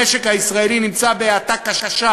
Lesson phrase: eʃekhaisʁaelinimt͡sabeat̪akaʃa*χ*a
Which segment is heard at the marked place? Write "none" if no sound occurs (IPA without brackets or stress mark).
ʃ